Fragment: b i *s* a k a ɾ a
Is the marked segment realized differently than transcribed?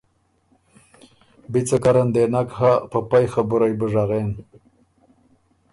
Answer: yes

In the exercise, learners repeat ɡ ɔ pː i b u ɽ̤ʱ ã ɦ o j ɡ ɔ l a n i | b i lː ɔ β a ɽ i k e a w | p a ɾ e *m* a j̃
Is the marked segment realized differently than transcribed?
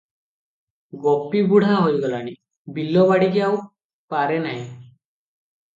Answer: yes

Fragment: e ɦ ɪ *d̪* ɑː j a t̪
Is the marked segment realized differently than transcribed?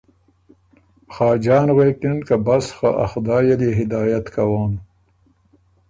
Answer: no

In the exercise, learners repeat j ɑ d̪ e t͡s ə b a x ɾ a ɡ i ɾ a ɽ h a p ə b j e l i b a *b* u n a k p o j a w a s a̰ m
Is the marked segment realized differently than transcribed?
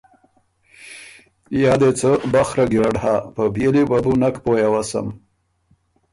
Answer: no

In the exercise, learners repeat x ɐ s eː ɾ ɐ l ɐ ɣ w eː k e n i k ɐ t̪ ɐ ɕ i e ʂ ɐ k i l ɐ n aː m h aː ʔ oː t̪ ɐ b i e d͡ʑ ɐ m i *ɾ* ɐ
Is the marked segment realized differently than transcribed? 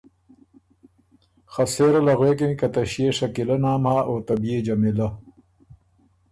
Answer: yes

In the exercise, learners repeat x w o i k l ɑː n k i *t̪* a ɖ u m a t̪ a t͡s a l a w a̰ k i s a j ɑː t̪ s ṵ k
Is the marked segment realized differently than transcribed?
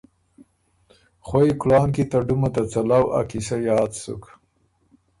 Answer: no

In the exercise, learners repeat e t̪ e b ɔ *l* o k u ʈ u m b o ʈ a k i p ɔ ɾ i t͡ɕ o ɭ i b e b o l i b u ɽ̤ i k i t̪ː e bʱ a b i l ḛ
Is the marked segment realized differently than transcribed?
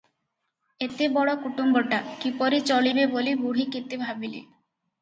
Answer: yes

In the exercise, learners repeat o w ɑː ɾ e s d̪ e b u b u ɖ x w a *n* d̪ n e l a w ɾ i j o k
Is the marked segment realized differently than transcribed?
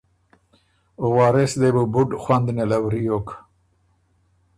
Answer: no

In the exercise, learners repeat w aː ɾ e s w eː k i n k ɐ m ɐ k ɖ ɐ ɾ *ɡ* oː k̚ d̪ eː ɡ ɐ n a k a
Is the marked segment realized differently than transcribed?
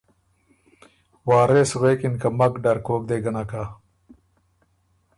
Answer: yes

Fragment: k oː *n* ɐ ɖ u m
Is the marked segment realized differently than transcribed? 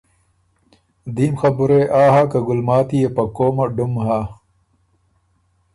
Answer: yes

